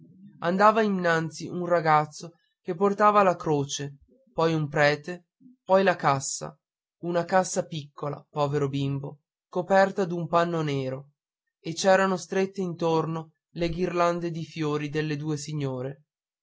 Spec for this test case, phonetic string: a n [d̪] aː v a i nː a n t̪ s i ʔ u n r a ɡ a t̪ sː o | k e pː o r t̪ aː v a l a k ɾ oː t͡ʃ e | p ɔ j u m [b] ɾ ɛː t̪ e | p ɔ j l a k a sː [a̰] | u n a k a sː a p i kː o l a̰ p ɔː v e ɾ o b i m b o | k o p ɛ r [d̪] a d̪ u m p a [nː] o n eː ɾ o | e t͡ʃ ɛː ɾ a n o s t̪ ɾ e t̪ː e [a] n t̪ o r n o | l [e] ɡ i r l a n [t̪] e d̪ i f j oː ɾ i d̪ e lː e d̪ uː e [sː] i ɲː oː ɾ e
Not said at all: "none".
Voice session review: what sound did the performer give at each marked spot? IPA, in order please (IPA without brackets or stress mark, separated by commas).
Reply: d̪, p, a̰, t̪, nː, i, e, d̪, s